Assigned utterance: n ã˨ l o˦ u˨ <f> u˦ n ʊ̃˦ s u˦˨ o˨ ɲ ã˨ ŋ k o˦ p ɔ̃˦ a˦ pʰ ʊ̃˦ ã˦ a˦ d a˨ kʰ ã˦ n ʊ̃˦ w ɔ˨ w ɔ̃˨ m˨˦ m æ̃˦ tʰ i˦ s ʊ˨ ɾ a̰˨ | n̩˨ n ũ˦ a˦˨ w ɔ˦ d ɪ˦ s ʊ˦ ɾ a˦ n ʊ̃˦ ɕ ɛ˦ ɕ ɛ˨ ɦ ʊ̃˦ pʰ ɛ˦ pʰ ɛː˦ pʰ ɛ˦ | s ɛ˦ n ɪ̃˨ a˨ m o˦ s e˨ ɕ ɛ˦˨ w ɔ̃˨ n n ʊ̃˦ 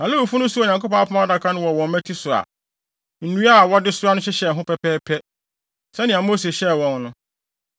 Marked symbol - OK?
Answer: yes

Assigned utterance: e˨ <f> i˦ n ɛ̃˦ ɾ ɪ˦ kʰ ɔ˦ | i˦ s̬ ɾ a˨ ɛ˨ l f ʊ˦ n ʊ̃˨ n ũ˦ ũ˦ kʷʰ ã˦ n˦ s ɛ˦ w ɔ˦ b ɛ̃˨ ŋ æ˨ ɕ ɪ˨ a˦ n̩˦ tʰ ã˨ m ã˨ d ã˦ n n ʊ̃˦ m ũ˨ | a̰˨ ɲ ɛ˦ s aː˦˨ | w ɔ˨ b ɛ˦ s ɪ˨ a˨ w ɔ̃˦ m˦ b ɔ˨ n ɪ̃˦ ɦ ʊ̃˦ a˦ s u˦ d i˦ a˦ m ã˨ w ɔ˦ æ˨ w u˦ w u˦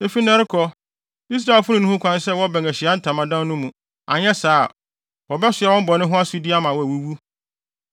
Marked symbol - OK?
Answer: yes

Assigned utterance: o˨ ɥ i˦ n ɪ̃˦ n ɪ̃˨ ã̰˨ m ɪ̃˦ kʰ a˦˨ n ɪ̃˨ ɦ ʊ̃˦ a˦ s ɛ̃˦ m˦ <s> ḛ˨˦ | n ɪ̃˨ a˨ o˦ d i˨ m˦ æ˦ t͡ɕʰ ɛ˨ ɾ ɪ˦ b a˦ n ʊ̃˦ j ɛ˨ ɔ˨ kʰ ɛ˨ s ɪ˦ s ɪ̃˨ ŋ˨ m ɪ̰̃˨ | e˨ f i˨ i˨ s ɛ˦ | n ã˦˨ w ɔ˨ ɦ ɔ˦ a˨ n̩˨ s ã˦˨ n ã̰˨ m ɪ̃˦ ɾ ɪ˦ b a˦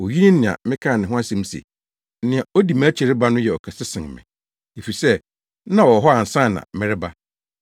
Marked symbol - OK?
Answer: yes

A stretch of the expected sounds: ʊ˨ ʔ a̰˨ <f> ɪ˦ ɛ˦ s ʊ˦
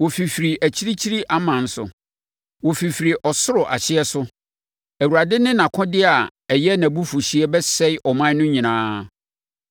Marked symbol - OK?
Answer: no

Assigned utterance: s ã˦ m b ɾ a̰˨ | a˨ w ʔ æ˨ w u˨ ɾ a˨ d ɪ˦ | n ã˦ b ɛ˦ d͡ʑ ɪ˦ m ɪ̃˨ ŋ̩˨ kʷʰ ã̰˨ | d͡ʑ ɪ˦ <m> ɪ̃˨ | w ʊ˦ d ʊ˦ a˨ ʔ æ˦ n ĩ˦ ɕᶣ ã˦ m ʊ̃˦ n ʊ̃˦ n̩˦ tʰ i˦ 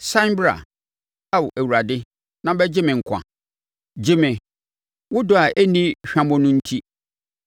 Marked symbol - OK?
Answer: yes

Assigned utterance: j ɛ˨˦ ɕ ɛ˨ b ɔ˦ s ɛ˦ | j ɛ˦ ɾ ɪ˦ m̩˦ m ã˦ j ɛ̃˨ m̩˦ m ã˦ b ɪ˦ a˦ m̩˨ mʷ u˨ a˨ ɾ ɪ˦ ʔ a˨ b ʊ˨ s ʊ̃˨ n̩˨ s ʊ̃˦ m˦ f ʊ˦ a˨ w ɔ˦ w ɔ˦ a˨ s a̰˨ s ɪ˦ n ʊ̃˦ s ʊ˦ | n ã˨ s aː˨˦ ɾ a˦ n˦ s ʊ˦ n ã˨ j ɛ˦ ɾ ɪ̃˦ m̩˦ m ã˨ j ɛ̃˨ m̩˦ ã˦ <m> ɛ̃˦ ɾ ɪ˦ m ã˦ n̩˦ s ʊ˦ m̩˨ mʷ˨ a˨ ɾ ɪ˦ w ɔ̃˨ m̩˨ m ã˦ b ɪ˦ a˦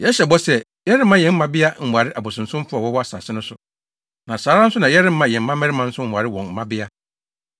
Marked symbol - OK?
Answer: yes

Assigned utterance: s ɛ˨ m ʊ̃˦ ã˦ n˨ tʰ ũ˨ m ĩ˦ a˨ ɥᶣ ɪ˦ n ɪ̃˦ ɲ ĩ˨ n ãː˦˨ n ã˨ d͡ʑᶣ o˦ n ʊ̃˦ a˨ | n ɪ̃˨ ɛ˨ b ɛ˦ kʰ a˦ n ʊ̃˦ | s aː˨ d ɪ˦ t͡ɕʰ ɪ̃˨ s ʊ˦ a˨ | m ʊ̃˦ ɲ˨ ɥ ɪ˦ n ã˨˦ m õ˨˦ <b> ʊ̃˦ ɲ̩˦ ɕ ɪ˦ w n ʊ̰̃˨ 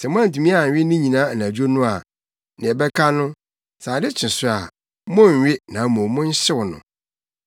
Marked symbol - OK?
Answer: no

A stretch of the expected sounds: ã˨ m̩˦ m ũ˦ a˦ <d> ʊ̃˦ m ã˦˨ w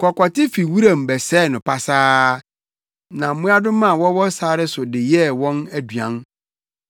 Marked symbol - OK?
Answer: yes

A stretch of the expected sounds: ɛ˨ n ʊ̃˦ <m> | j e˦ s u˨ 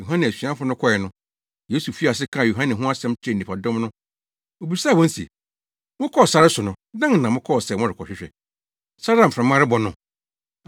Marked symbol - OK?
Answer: no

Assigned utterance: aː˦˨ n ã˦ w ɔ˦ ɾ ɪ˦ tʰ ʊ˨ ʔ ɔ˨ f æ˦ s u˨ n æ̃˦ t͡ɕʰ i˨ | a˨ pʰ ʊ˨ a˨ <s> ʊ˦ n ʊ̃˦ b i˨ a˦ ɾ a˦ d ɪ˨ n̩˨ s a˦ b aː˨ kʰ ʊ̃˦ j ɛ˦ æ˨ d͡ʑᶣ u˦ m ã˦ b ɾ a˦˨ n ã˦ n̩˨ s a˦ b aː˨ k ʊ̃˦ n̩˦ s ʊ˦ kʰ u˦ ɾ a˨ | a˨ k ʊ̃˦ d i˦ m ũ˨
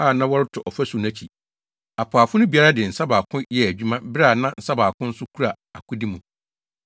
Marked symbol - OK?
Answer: no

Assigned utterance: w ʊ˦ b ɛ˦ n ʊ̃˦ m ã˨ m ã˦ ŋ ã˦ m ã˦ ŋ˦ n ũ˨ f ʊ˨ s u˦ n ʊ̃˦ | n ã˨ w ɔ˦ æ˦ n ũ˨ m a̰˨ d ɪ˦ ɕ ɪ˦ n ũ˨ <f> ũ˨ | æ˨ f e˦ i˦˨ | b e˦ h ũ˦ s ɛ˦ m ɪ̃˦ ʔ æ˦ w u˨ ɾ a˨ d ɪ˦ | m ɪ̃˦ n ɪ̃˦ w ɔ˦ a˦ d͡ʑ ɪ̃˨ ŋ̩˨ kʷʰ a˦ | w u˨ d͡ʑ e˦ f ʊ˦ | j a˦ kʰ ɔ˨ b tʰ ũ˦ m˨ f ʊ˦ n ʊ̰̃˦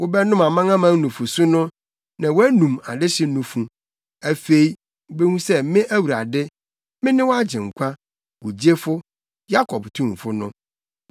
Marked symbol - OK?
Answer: yes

